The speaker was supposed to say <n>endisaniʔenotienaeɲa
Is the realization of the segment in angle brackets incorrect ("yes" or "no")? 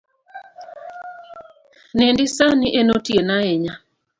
no